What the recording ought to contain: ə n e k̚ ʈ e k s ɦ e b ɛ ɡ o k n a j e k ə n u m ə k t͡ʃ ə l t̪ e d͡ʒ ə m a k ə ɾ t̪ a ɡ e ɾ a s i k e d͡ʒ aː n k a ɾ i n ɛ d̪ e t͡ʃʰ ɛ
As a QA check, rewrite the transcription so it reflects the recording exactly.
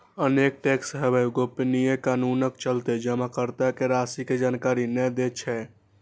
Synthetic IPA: ə n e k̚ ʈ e k s ɦ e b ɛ ɡ o p n i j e k a n u n ə k t͡ʃ ə l t̪ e d͡ʒ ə m a k ə ɾ t̪ a k e ɾ a s i k e d͡ʒ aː n k a ɾ i n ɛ d̪ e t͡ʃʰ ɛ

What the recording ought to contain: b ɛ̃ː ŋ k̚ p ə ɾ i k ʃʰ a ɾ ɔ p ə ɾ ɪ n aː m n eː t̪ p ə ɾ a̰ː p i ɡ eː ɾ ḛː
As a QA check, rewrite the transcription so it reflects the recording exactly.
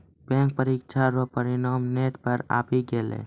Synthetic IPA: b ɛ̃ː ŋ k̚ p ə ɾ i k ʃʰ a ɾ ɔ p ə ɾ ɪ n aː m n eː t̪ p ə ɾ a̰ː p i ɡ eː l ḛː

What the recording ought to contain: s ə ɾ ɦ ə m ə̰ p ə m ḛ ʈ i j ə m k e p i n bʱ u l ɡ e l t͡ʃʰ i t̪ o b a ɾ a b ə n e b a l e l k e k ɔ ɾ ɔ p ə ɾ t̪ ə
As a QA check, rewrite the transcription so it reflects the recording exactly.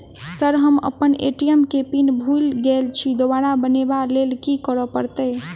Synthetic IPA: s ə ɾ ɦ ə m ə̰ p ə n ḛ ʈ i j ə m k e p i n bʱ u l ɡ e l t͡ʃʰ i d̪ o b a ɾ a b ə n e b a l e l k i k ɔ ɾ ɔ p ə ɾ t̪ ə

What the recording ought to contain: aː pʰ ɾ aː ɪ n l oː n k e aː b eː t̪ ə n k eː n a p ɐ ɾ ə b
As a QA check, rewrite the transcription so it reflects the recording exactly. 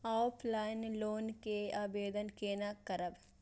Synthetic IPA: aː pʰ l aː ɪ n l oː n k e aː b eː d̪ ə n k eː n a k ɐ ɾ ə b

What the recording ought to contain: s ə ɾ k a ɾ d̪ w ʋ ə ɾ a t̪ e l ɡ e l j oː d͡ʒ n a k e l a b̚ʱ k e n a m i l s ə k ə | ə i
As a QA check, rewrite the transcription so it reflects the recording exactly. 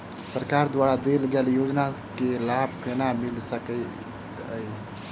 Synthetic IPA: s ə ɾ k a ɾ d̪ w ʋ a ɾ a d̪ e l ɡ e l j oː d͡ʒ n a k e l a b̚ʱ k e n a m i l s ə k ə | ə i

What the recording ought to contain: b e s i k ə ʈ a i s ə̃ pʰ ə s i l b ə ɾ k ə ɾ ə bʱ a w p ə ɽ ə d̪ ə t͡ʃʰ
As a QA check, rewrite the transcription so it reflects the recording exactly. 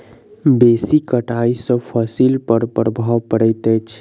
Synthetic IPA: b e s i k ə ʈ a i s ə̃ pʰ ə s i l p ə ɾ p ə ɾ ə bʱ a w p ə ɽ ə t̪ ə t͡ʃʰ

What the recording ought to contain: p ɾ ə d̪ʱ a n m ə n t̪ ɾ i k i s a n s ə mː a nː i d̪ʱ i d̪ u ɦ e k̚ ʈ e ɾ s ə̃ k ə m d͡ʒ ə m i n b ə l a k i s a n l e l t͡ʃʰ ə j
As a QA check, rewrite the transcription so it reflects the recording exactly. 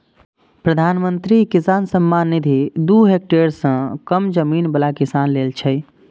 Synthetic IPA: p ɾ ə d̪ʱ a n m ə n t̪ ɾ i k i s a n s ə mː a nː i d̪ʱ i d̪ u ɦ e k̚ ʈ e ɾ s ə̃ k ə m d͡ʒ ə m i n b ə l a k i s a n l e l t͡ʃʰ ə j

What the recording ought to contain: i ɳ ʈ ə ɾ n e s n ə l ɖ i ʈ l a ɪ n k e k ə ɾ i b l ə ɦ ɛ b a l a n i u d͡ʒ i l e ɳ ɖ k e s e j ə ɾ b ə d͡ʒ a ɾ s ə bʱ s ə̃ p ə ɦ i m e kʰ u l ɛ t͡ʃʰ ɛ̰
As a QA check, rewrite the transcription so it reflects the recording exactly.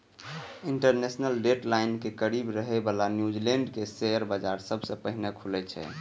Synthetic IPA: i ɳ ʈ ə ɾ n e s n ə l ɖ e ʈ l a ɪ n k e k ə ɾ i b ɾ ə ɦ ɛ b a l a n j u d͡ʒ i l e ɳ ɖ k e s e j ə ɾ b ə d͡ʒ a ɾ s ə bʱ s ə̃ p ə ɦ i n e kʰ u l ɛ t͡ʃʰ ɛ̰

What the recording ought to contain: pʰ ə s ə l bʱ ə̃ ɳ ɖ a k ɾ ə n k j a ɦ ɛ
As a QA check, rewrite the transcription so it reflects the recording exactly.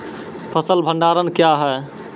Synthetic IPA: pʰ ə s ə l bʱ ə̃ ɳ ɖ a ɾ ə n k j a ɦ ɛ

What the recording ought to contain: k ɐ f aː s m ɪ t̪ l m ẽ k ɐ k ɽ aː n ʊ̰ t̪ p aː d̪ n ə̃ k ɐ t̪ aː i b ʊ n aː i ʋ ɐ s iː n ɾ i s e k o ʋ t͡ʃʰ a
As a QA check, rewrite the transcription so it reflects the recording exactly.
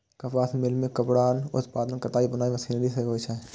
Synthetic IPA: k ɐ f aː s m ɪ l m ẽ k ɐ p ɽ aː n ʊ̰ t̪ p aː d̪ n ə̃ k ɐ t̪ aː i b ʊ n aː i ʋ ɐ s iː n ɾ i s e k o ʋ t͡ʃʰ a

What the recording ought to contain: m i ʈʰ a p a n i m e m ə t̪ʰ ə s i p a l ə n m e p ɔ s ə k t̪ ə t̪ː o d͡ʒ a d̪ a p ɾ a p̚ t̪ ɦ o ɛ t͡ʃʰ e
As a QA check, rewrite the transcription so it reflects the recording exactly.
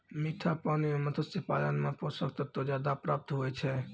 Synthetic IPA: m i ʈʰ a p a n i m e m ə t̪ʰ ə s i p a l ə n m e p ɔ s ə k t̪ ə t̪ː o d͡ʒ a d̪ a p ɾ a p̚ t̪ ɦ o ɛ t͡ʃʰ ɛ

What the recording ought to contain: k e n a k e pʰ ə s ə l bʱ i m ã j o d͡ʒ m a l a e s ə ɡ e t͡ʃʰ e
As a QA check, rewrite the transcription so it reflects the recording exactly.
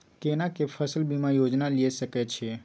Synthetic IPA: k e n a k e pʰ ə s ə l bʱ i m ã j o d͡ʒ n a l i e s ə k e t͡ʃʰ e

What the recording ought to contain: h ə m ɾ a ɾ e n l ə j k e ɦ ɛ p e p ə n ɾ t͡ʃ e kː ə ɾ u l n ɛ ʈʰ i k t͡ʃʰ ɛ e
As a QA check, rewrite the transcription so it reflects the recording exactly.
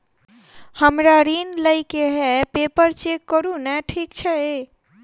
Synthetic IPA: h ə m ɾ a ɾ i n l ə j k e ɦ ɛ p e p ə ɾ t͡ʃ e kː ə ɾ u n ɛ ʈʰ i k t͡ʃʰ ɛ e

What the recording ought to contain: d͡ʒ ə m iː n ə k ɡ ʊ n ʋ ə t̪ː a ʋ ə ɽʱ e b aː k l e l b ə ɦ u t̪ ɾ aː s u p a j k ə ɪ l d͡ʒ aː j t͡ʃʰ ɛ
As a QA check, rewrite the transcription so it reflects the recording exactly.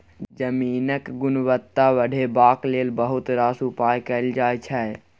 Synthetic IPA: d͡ʒ ə m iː n ə k ɡ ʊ n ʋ ə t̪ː a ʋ ə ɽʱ e b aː k l e l b ə ɦ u t̪ ɾ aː s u p a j k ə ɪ l d͡ʒ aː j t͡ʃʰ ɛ

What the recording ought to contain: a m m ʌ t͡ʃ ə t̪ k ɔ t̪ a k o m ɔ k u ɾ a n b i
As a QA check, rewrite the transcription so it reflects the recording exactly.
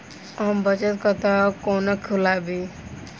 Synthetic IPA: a m b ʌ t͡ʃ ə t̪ k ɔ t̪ a k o n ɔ kʰ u l a b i

